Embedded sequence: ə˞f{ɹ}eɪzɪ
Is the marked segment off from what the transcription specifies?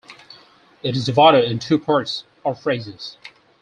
no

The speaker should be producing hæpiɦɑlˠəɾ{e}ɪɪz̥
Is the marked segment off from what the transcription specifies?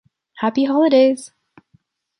no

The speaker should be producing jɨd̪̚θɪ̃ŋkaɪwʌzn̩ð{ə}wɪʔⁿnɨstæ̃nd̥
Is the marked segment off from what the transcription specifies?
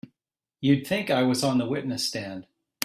no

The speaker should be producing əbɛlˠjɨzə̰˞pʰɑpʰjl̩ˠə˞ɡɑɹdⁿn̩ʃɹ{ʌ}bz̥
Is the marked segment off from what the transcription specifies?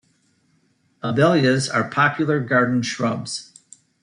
no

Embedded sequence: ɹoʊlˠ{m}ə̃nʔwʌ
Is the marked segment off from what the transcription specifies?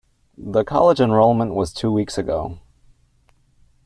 no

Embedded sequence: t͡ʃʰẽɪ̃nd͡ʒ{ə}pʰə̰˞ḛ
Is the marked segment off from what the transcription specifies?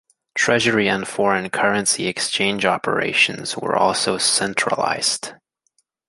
yes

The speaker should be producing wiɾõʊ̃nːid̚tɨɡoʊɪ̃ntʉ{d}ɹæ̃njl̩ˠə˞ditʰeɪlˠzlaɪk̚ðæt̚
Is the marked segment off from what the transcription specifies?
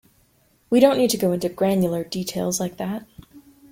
yes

